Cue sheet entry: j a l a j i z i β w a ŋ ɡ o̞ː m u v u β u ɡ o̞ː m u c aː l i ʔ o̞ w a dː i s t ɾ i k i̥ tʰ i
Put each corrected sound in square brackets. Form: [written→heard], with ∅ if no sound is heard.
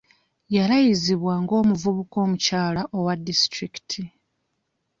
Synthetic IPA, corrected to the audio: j a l a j i z i β w a ŋ ɡ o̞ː m u v u β u [ɡ→k] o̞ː m u c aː l [i→a] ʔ o̞ w a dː i s t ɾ i k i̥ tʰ i